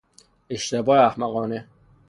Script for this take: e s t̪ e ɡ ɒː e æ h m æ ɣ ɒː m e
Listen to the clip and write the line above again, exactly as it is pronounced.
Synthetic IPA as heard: e ʃ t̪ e b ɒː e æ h m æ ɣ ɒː n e